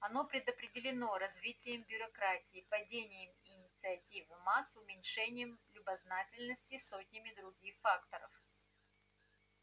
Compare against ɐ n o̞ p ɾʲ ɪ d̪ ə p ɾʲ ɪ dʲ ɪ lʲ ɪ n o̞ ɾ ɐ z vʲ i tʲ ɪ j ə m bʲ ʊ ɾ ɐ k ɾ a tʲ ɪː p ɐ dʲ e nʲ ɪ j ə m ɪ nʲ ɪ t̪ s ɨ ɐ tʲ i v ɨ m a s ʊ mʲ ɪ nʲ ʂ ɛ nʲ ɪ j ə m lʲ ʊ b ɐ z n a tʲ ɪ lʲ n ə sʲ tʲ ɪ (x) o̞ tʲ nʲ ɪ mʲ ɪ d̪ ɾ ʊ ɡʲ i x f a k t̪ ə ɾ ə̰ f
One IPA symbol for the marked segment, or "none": s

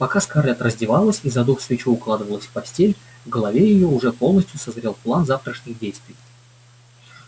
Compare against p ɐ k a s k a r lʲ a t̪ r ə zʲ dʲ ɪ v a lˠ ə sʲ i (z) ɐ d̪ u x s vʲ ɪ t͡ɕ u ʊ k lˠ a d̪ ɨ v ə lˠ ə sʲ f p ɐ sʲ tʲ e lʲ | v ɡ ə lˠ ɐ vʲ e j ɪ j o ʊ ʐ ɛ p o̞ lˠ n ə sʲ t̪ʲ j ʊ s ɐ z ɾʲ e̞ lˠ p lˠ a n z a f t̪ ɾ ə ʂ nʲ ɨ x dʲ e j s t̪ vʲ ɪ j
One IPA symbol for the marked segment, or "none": z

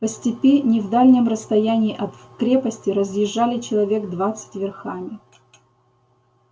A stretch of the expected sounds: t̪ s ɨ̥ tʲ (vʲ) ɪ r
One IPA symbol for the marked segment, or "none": vʲ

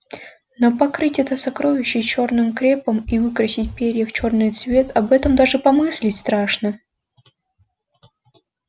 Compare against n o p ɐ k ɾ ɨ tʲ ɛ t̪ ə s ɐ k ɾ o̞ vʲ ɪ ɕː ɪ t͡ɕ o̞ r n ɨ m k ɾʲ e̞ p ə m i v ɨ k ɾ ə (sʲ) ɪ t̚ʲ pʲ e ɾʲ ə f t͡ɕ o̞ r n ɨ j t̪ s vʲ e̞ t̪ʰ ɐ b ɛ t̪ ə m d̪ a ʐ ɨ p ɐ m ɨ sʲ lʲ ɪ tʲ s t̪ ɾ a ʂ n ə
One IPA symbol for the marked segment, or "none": sʲ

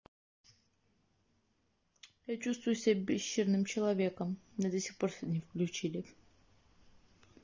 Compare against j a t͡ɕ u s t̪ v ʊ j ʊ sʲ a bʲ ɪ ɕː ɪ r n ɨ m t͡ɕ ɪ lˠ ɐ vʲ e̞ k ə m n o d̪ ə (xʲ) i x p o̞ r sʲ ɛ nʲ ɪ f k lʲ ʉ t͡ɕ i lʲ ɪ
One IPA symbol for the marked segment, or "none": sʲ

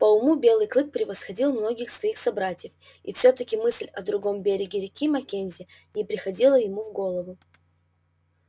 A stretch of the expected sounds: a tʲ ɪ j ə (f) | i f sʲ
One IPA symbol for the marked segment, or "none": f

